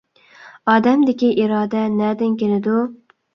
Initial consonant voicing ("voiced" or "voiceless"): voiced